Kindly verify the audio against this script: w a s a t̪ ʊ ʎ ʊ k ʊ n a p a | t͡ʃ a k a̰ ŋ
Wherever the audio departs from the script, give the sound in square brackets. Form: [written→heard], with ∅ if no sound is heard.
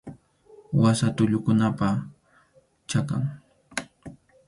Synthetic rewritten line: w a s a t̪ ʊ ʎ ʊ k ʊ n a p a | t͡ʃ a k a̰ ŋ